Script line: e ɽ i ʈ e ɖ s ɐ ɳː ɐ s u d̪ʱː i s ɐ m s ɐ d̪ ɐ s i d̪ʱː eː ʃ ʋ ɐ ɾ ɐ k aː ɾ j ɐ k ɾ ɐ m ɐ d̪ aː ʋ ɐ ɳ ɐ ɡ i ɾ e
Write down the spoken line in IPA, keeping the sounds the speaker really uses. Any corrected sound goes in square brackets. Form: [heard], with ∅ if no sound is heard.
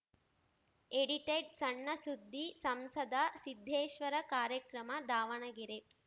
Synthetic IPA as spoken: e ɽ i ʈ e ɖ s ɐ ɳː ɐ s u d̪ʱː i s ɐ m s ɐ d̪ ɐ s i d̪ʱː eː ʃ ʋ ɐ ɾ ɐ k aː ɾ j ɐ k ɾ ɐ m ɐ d̪ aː ʋ ɐ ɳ ɐ ɡ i ɾ e